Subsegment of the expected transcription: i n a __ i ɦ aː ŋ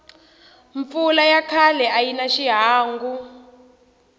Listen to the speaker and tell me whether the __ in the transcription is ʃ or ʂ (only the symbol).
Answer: ʃ